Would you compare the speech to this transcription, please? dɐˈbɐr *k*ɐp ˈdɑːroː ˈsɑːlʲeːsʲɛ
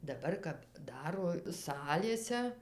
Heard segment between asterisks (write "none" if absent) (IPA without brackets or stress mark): k